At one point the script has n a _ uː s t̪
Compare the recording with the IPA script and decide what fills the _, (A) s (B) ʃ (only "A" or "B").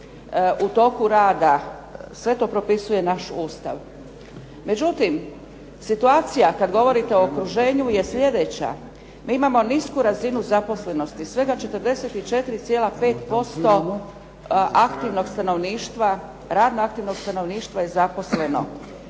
B